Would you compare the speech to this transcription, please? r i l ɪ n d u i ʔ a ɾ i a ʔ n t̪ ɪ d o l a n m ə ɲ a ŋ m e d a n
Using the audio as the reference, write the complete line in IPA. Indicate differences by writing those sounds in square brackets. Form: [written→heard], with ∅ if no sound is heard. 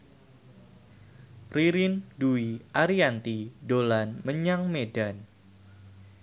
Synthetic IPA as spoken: r i [l→ɾ] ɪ n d u i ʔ a ɾ i a [ʔ→∅] n t̪ [ɪ→i] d o l a n m ə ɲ a ŋ m e d a n